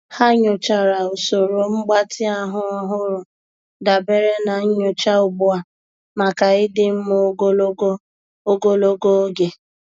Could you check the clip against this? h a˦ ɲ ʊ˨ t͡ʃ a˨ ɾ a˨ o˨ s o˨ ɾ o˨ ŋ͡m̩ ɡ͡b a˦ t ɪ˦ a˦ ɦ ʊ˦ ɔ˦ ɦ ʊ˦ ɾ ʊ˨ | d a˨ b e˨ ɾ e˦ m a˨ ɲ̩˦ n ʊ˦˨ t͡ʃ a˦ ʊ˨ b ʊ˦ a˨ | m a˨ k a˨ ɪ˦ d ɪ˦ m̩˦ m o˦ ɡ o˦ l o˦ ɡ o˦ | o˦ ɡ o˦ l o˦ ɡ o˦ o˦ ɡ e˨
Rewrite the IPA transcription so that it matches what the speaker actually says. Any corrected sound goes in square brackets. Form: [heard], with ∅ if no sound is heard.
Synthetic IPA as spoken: h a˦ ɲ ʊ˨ t͡ʃ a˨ ɾ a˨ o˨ s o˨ ɾ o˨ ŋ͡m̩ ɡ͡b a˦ t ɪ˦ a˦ ɦ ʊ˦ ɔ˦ ɦ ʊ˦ ɾ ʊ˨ | d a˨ b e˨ ɾ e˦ [n] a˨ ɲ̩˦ [ɲ] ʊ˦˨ t͡ʃ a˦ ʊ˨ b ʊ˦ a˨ | m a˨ k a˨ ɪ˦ d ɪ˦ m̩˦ m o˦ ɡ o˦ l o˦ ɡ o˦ | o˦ ɡ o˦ l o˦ ɡ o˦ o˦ ɡ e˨